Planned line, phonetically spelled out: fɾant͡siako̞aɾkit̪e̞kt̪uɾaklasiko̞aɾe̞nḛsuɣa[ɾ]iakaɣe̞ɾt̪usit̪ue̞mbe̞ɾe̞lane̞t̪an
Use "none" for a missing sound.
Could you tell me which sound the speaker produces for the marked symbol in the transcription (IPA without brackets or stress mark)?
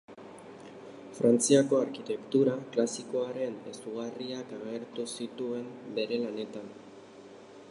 r